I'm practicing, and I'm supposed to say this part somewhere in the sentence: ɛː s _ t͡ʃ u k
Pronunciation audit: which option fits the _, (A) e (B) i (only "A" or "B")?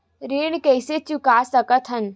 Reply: A